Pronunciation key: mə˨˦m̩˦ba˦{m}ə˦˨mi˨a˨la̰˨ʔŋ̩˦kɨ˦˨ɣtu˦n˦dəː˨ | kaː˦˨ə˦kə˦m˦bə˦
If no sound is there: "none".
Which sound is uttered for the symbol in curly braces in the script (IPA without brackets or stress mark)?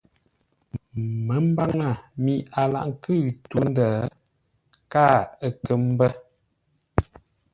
ŋ